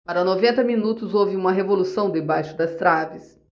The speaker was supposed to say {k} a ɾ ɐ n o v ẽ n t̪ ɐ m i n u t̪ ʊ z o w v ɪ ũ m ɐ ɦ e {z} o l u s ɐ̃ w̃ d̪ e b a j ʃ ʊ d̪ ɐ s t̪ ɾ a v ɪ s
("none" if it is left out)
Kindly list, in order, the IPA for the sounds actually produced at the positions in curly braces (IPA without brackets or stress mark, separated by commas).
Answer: p, v